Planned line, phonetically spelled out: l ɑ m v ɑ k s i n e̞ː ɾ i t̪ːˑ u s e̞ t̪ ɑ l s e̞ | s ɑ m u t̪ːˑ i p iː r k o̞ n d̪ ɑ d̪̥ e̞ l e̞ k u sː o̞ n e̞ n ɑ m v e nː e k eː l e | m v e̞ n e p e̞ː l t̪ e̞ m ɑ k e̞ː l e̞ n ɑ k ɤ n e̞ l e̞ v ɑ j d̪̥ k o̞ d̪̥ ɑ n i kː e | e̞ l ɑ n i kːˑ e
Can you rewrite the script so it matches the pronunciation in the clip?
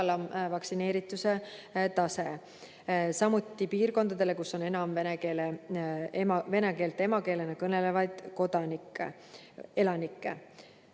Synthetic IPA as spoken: l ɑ m v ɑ k s i n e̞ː ɾ i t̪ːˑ u s e̞ t̪ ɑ s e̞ | s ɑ m u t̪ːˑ i p iː r k o̞ n d̪ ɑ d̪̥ e̞ l e̞ k u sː o̞ n e̞ n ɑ m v e n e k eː l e | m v e̞ n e k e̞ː l t̪ e̞ m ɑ k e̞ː l e̞ n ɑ k ɤ n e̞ l e̞ v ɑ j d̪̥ k o̞ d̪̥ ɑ n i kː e | e̞ l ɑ n i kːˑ e